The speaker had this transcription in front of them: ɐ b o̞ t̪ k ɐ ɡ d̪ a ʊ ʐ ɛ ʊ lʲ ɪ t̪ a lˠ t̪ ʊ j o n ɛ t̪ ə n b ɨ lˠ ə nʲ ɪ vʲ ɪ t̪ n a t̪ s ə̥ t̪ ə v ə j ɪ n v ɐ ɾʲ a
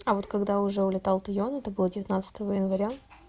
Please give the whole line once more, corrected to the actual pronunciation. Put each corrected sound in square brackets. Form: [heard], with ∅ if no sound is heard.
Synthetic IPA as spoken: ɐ [v] o̞ t̪ k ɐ ɡ d̪ a ʊ ʐ ɛ ʊ lʲ ɪ t̪ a lˠ t̪ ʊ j o n ɛ t̪ ə [∅] b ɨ lˠ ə [dʲ] ɪ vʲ ɪ t̪ n a t̪ s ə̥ t̪ ə v ə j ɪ n v ɐ ɾʲ a